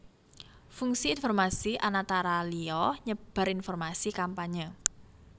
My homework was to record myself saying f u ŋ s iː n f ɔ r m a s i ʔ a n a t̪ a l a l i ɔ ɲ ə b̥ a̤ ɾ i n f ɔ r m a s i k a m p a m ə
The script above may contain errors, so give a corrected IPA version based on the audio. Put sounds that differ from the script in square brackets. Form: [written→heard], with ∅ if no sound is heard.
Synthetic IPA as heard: f u ŋ s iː n f ɔ r m a s i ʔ a n a t̪ a [l→ɾ] a l i ɔ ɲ ə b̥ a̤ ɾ i n f ɔ r m a s i k a m p a [m→ɲ] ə